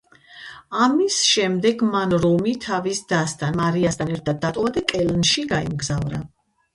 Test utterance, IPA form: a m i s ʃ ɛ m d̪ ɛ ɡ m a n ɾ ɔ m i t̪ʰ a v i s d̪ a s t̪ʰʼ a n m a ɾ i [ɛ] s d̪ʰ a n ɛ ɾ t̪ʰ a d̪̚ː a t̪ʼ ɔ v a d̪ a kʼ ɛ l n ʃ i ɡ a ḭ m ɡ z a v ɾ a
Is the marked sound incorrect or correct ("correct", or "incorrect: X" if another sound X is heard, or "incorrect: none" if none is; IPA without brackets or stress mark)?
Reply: incorrect: a